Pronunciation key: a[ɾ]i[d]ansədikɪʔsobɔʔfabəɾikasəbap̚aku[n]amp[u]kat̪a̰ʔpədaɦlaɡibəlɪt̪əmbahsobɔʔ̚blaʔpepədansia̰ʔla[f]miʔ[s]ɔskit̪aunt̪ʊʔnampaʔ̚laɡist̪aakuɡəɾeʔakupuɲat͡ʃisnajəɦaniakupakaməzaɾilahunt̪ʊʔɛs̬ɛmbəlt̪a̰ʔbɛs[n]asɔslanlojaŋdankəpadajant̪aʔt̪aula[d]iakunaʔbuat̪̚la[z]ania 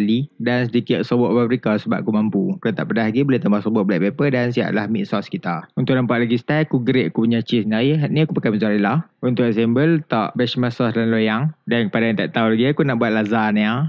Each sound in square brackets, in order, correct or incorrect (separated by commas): incorrect, correct, incorrect, correct, incorrect, correct, incorrect, incorrect, correct